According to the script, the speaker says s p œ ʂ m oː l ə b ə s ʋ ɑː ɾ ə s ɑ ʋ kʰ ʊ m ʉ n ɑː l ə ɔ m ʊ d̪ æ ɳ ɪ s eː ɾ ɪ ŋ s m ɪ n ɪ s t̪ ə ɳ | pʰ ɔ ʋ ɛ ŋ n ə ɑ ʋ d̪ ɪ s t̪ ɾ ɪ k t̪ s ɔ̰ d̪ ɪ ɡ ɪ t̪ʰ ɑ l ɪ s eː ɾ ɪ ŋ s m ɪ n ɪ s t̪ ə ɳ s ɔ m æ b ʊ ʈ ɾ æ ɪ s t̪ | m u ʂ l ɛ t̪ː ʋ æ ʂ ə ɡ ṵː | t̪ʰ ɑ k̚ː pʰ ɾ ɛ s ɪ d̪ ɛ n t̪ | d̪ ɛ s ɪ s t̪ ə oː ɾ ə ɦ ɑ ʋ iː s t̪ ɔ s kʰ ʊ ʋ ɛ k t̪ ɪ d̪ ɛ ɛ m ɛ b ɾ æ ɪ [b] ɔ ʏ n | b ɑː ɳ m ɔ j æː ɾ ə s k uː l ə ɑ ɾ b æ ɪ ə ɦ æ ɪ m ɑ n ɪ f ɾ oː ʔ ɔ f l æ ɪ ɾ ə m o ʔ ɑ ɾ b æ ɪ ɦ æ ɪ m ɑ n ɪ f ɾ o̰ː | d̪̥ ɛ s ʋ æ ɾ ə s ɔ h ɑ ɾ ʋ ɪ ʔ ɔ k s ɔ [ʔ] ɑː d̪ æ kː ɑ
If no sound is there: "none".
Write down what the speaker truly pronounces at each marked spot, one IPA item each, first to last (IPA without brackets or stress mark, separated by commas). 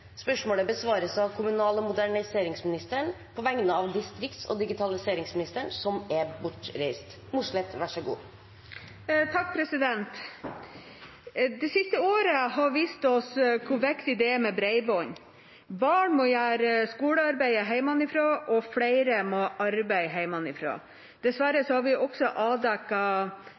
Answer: b, ʔ